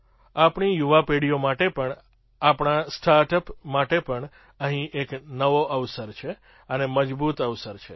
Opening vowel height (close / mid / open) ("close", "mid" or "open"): open